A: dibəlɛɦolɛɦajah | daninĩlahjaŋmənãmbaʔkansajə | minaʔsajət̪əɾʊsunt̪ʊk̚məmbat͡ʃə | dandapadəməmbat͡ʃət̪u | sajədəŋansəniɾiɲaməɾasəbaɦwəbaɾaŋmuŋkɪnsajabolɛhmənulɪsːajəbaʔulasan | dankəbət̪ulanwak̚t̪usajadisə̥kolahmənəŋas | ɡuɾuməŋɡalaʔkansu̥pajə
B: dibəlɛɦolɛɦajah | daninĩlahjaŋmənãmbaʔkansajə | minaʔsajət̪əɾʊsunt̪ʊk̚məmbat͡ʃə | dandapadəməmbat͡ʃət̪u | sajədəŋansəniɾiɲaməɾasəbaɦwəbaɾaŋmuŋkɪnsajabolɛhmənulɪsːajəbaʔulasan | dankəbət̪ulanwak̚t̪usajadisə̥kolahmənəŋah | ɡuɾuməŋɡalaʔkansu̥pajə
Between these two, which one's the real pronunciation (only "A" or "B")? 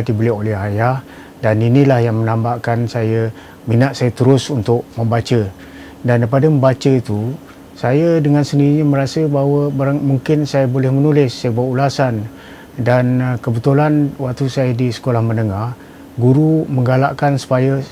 B